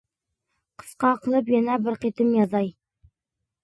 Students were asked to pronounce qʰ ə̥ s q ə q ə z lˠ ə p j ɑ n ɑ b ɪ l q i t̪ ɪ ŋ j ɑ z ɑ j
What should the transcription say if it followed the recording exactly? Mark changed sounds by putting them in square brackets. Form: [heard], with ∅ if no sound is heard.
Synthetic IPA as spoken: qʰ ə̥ s q [ɑ] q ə [∅] lˠ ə p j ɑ n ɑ b ɪ [ɾ] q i t̪ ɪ [m] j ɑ z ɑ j